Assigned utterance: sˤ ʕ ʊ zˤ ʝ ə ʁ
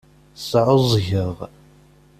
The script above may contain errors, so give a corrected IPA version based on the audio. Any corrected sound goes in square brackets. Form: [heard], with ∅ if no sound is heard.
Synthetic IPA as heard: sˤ ʕ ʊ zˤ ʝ ə ʁ